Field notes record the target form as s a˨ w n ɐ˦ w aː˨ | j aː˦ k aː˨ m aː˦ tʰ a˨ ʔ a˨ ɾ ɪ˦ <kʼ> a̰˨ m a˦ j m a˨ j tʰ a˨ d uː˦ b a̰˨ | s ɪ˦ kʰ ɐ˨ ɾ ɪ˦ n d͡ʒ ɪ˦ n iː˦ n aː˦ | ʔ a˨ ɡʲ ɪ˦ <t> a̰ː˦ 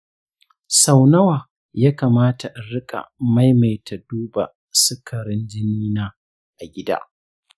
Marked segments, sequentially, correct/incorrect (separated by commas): correct, incorrect